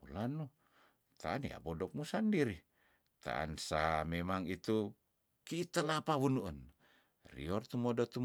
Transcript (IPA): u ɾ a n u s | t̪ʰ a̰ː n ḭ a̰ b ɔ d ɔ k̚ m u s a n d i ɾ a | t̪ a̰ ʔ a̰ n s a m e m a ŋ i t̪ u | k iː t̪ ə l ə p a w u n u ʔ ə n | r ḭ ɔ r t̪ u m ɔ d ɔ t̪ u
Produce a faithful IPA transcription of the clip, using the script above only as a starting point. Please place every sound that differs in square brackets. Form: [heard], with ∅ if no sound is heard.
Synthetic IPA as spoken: u [l] a n u [∅] | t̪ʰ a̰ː n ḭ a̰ b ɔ d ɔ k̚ m u s a n d i ɾ [i] | t̪ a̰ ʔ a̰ n s a m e m a ŋ i t̪ u | k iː t̪ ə l [a] p a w u n u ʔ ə n | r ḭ ɔ r t̪ u m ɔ d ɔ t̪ u